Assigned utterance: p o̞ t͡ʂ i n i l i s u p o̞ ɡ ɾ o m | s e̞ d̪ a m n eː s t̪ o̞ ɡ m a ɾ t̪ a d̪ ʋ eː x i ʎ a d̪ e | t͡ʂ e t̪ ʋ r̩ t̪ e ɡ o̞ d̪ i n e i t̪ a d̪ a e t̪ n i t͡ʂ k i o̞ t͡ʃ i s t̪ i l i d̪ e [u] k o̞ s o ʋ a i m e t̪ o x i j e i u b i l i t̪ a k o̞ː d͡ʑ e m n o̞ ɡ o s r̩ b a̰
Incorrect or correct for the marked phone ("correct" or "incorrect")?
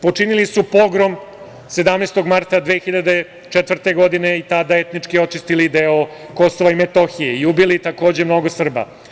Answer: incorrect